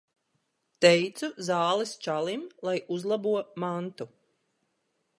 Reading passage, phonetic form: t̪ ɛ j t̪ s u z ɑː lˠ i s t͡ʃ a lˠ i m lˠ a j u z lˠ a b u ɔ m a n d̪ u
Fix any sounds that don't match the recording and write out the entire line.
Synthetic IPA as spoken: t̪ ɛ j t̪ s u z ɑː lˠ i s t͡ʃ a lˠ i m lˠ a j u z lˠ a b u ɔ m a n t̪ u